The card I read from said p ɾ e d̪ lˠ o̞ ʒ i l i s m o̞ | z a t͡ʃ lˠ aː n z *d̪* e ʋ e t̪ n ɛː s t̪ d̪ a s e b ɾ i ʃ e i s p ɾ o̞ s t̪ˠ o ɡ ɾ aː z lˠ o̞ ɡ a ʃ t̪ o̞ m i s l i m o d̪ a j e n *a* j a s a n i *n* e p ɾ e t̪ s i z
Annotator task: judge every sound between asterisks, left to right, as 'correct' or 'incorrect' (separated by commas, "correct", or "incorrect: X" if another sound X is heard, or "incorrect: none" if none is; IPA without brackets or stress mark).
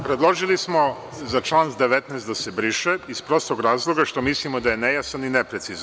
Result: correct, incorrect: e, correct